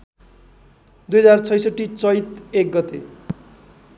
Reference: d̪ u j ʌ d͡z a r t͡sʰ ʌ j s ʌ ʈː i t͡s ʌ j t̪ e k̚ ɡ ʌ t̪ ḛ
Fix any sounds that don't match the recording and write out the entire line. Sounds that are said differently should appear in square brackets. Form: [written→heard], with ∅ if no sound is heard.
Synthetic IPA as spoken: d̪ u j ʌ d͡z a r t͡sʰ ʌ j s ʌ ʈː i t͡s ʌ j t̪ e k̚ ɡ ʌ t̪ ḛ